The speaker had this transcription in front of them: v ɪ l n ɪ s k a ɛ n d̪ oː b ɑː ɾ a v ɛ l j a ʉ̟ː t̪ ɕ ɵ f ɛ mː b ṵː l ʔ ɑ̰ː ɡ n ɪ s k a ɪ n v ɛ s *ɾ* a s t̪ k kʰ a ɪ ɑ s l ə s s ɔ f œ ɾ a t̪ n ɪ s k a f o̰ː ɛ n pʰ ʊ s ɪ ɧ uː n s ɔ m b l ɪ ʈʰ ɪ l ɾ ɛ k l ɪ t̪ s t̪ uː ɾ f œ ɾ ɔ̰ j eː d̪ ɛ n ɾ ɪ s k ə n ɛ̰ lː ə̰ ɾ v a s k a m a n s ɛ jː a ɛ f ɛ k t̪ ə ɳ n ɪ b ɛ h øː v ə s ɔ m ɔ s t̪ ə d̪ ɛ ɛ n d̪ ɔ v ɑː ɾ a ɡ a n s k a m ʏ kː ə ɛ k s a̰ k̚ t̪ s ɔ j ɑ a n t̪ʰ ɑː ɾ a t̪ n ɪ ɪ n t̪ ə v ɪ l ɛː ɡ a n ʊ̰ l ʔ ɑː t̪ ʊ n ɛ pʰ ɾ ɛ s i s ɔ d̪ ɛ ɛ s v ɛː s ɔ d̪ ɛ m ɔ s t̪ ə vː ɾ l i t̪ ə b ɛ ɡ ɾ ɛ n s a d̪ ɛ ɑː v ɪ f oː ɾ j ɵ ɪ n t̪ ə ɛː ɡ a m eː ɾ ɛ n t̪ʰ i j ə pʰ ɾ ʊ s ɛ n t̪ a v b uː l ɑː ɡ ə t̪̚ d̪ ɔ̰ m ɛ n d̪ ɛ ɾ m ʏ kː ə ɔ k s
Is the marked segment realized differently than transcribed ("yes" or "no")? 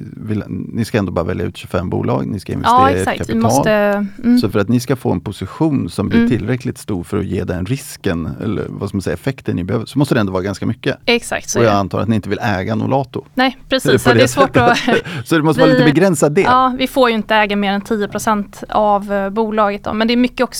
no